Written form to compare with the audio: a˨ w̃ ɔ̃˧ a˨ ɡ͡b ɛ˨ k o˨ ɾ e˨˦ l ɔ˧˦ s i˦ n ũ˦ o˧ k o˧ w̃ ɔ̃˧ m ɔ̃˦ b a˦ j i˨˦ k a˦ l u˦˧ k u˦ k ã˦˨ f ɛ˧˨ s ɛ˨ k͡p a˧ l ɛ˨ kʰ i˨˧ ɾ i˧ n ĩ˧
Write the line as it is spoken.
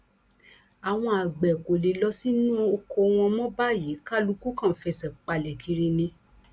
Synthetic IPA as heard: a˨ w̃ ɔ̃˧ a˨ ɡ͡b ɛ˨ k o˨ l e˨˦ l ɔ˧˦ s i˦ n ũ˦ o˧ k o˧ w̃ ɔ̃˧ m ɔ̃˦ b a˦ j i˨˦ k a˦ l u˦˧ k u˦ k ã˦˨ f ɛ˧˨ s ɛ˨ k͡p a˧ l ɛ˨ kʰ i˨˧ ɾ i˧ n ĩ˧